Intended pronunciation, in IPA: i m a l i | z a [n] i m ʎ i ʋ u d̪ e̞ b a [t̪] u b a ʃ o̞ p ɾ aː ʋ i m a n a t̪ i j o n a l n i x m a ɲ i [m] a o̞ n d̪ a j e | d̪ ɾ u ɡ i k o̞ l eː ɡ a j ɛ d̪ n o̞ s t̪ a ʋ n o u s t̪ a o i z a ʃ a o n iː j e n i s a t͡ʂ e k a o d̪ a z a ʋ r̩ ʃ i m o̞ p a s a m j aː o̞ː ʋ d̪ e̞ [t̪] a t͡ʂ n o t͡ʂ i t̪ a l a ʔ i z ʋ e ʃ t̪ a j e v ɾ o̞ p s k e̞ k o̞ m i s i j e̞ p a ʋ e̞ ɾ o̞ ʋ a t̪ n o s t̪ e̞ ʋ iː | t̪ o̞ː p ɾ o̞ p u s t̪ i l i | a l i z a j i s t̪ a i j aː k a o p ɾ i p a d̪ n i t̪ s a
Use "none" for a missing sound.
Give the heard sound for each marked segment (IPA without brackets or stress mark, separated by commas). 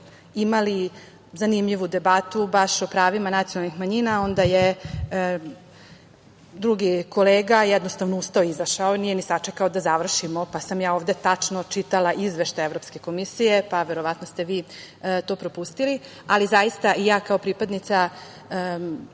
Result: n, t̪, n, t̪